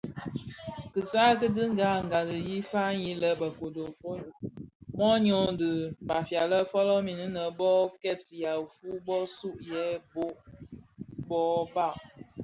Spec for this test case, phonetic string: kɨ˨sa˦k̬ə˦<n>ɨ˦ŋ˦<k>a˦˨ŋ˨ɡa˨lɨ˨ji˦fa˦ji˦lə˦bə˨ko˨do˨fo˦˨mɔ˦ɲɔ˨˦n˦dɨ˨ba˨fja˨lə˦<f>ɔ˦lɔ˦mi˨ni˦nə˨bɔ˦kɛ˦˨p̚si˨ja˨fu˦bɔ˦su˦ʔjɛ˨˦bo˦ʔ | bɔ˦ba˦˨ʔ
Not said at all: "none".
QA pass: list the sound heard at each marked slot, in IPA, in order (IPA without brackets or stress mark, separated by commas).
d, ɡ, f